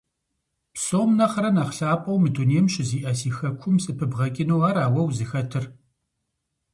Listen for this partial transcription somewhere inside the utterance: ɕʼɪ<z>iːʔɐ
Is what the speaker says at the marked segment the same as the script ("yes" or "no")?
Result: yes